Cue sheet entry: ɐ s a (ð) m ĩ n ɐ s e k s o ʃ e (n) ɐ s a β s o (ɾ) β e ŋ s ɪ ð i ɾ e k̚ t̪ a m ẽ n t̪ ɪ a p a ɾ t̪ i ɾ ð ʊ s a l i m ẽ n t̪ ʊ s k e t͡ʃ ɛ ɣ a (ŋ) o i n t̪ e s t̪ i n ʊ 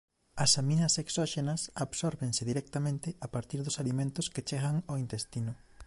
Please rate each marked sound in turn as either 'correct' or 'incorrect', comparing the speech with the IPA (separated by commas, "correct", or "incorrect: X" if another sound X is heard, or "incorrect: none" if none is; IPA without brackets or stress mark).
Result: incorrect: none, correct, correct, correct